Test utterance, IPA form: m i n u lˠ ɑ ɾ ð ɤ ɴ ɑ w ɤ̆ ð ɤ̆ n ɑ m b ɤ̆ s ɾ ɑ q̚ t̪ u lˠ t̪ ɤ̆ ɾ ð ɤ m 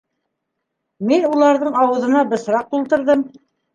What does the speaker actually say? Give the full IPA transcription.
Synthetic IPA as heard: m i n u lˠ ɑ ɾ ð ɤ ɴ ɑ w ɤ̆ ð ɤ̆ n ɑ b ɤ̆ s ɾ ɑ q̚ t̪ u lˠ t̪ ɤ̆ ɾ ð ɤ m